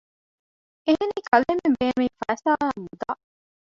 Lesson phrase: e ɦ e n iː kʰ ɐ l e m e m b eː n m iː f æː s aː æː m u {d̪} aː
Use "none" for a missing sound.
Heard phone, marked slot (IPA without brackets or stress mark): d̪